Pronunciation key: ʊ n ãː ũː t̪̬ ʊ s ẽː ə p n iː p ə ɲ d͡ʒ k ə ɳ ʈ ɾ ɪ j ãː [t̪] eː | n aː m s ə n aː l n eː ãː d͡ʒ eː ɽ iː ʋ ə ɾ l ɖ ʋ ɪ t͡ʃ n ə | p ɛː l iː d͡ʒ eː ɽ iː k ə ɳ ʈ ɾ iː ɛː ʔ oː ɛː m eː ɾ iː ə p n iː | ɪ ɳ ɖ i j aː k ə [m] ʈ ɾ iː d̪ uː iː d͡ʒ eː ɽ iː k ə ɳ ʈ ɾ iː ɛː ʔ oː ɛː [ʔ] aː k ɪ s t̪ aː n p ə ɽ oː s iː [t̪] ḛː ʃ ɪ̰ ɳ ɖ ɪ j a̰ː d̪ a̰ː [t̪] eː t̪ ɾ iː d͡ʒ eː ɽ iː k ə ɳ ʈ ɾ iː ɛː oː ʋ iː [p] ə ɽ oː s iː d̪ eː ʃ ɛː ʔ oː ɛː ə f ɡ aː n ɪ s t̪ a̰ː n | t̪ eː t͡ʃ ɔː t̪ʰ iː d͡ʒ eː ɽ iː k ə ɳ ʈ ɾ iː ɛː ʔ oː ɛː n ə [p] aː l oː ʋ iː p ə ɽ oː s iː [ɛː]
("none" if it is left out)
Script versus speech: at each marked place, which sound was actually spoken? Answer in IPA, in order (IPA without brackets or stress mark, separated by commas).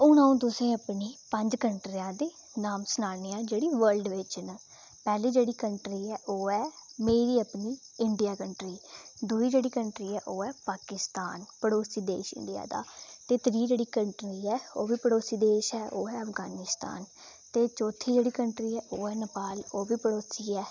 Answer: d̪, ɳ, p, d̪, t̪, p, p, ɛː